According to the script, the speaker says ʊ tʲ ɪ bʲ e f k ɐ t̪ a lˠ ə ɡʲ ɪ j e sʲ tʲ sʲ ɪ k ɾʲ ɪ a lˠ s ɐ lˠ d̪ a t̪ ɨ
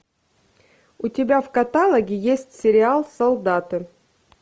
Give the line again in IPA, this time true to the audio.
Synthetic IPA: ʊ tʲ ɪ bʲ a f k ɐ t̪ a lˠ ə ɡʲ ɪ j e sʲ tʲ sʲ ɪ ɾʲ ɪ a lˠ s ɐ lˠ d̪ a t̪ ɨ